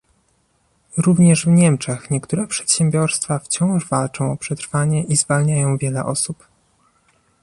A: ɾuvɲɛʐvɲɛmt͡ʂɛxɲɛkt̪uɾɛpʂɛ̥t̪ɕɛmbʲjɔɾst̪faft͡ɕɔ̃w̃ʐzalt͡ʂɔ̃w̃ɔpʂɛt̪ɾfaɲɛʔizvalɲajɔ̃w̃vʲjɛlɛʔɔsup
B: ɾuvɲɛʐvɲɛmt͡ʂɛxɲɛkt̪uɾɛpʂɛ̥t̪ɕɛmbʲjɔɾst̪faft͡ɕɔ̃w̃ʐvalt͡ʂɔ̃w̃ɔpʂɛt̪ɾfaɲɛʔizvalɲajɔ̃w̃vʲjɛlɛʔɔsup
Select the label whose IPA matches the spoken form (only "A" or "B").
B